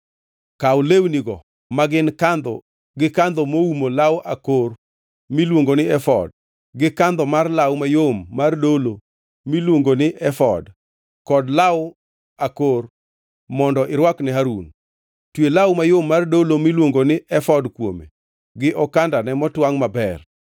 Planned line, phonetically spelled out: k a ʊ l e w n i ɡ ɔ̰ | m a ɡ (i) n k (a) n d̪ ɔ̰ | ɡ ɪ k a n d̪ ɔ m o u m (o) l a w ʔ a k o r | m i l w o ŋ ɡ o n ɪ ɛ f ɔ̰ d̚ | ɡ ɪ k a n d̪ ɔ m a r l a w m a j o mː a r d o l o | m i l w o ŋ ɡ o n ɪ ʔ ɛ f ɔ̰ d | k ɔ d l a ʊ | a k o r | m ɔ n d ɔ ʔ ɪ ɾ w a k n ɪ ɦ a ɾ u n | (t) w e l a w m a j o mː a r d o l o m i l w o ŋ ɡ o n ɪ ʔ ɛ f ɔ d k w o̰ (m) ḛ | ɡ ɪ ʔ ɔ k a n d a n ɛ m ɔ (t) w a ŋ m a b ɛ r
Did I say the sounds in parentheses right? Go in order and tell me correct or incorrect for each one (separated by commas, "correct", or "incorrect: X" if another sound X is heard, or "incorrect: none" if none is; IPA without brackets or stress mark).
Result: incorrect: ɪ, correct, correct, correct, correct, correct